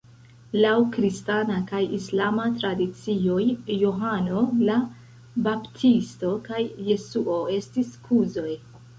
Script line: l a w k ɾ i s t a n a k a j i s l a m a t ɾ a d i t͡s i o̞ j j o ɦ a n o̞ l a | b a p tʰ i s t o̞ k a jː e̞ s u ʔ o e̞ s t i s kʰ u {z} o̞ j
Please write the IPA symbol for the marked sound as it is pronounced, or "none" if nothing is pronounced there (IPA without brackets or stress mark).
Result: z